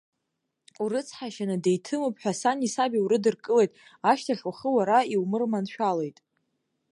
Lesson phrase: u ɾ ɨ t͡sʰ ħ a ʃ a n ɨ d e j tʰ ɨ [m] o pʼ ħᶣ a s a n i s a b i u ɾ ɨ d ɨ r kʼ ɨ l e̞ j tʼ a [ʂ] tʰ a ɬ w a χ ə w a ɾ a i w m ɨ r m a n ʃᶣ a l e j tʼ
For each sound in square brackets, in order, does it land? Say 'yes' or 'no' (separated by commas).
yes, no